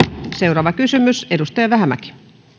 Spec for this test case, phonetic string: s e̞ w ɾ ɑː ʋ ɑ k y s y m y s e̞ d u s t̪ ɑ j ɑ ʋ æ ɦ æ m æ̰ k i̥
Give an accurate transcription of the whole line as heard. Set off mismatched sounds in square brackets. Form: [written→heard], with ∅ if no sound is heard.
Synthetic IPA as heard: s e̞ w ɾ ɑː ʋ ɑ k y s y m y s e̞ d u s t̪ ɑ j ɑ ʋ æ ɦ æ m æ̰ k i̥